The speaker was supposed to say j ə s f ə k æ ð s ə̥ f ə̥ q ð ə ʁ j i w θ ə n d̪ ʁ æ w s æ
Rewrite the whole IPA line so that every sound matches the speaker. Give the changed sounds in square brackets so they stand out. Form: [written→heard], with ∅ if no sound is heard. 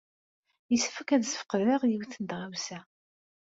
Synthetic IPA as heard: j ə s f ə k æ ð s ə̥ f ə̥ q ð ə ʁ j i w θ ə n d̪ ʁ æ w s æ